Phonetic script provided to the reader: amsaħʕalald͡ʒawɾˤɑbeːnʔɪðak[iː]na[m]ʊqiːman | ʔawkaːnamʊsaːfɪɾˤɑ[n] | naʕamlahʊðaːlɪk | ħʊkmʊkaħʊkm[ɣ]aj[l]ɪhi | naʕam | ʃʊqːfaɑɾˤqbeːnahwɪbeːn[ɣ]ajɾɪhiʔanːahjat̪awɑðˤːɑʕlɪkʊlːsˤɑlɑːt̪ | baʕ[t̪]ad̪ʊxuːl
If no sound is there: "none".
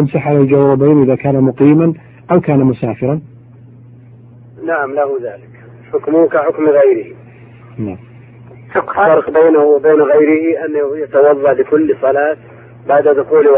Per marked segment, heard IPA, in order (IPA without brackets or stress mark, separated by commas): aː, m, n, ɣ, ɾ, ɣ, d̪